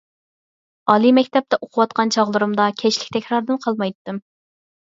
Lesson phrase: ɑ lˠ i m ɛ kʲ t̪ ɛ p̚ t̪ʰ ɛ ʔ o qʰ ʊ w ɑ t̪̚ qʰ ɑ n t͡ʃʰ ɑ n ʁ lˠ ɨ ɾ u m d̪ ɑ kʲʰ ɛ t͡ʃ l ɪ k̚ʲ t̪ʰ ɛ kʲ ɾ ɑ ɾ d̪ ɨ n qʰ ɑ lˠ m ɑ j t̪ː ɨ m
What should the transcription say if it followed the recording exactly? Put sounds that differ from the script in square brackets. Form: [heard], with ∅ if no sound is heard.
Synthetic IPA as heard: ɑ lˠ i m ɛ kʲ t̪ ɛ p̚ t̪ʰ ɛ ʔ o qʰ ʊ w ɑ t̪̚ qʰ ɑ n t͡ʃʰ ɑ [∅] ʁ lˠ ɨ ɾ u m d̪ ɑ kʲʰ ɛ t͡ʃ l ɪ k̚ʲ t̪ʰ ɛ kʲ ɾ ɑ ɾ d̪ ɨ n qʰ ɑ lˠ m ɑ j t̪ː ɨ m

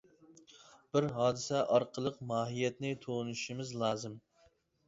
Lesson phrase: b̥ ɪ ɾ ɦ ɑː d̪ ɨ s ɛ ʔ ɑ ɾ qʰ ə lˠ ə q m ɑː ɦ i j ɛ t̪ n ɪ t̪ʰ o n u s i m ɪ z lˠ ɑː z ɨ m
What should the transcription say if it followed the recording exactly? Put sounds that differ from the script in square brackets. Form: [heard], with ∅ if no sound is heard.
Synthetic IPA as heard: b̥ ɪ ɾ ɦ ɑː d̪ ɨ s ɛ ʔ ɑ ɾ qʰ ə lˠ ə q m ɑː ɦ i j ɛ t̪ n ɪ t̪ʰ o n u [ʃ] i m ɪ z lˠ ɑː z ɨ m

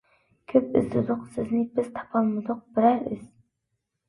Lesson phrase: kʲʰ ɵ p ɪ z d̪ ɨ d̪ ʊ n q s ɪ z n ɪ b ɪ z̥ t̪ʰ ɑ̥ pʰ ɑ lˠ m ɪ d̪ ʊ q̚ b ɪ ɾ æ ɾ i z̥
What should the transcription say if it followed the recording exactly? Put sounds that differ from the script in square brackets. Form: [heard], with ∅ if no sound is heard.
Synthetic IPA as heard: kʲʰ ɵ p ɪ z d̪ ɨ d̪ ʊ [∅] q s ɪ z n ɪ b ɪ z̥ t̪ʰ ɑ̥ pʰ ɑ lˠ m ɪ d̪ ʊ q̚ b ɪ ɾ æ ɾ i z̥

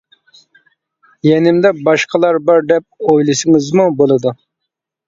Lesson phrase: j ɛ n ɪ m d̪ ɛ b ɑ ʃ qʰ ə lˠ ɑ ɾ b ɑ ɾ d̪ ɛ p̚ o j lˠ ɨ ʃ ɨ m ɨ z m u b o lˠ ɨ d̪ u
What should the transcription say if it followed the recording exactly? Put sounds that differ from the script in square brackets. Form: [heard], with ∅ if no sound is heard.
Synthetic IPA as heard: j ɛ n ɪ m d̪ ɛ b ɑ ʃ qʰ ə lˠ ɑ ɾ b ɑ ɾ d̪ ɛ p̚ o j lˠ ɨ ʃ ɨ [ŋ] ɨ z m u b o lˠ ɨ d̪ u

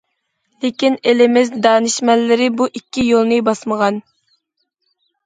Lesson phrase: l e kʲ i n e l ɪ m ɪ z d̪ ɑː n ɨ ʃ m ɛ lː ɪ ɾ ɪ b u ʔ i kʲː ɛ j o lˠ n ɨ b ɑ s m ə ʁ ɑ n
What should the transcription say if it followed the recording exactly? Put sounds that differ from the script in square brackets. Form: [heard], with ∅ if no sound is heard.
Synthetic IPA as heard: l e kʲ i n e l ɪ m ɪ z d̪ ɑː n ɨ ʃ m ɛ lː ɪ ɾ ɪ b u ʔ i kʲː [i] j o lˠ n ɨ b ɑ s m ə ʁ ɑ n

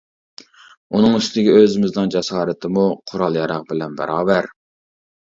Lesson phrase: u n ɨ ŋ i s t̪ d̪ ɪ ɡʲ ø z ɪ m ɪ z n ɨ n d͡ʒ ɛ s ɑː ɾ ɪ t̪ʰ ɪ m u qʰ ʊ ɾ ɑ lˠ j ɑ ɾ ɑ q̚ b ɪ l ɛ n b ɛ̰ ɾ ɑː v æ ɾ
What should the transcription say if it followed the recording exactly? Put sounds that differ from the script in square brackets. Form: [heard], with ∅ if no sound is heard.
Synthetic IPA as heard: u n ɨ ŋ [y] s t̪ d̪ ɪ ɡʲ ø z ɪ m ɪ z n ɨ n d͡ʒ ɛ s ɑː ɾ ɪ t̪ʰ ɪ m u qʰ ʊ ɾ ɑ lˠ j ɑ ɾ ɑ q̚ b ɪ l ɛ n b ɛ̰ ɾ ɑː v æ ɾ

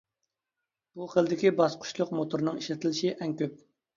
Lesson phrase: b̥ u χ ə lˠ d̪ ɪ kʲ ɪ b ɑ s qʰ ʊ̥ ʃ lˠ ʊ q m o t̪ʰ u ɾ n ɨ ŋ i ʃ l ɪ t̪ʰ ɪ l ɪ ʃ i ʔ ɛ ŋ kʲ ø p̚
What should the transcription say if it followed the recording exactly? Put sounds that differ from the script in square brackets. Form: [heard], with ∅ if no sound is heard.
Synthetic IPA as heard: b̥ u χ ə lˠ d̪ ɪ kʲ [i] b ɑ s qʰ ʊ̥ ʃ lˠ ʊ q m o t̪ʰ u ɾ n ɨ ŋ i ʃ l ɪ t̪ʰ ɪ l ɪ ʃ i ʔ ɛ ŋ kʲ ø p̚

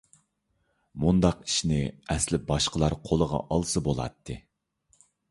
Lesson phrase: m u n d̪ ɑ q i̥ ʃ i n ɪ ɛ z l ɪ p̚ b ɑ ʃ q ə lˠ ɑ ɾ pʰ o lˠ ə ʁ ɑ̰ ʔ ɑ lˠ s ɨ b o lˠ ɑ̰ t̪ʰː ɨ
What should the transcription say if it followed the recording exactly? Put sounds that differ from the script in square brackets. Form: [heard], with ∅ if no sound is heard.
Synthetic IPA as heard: m u n d̪ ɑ q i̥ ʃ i n ɪ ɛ [s] l ɪ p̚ b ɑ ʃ q ə lˠ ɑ ɾ [qʰ] o lˠ ə ʁ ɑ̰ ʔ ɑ lˠ s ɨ b o lˠ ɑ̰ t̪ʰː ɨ

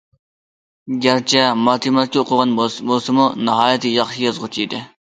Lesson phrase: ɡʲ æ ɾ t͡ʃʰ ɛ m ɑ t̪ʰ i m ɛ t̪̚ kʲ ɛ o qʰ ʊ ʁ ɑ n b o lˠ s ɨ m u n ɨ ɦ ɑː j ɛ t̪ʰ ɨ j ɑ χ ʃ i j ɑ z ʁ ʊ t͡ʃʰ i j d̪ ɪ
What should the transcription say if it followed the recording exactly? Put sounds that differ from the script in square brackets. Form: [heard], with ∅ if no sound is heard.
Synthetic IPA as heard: ɡʲ æ ɾ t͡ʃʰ ɛ m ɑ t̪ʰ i m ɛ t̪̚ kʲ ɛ o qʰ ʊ ʁ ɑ n b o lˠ s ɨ m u n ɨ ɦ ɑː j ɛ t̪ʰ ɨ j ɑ χ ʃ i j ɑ z ʁ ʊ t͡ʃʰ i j d̪ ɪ

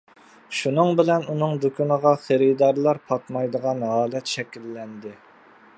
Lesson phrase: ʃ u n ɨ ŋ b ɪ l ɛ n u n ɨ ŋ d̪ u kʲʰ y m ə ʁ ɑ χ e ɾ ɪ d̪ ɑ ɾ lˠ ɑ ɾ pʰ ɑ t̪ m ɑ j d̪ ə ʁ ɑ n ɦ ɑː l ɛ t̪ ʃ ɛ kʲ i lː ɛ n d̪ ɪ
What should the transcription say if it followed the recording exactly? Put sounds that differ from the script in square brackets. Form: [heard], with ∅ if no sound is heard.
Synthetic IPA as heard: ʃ u n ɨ ŋ b ɪ l ɛ n u n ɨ ŋ d̪ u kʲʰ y [n] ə ʁ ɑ χ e ɾ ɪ d̪ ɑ ɾ lˠ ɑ ɾ pʰ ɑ t̪ m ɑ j d̪ ə ʁ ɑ n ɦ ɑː l ɛ t̪ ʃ ɛ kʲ i lː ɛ n d̪ ɪ

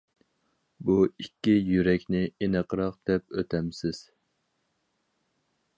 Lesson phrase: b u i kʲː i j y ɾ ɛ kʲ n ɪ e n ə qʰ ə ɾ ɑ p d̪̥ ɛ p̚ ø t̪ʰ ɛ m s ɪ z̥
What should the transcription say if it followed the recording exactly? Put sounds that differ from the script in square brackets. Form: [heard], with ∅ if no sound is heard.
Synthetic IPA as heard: b u i kʲː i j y ɾ ɛ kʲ n ɪ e n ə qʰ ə ɾ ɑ [q] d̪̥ ɛ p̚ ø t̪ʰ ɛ m s ɪ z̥

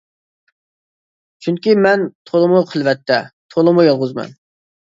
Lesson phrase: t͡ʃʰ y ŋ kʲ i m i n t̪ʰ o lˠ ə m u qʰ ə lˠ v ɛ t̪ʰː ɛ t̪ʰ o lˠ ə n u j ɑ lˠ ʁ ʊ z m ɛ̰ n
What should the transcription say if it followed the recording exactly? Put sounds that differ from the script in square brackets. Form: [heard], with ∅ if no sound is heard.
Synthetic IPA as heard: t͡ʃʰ y ŋ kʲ i m [ɛ] n t̪ʰ o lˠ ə m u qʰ ə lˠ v ɛ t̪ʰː ɛ t̪ʰ o lˠ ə [m] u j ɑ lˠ ʁ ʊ z m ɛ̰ n

